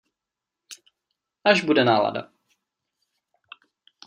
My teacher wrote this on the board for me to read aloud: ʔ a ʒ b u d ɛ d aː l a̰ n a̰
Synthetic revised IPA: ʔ a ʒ b u d ɛ n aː l a̰ d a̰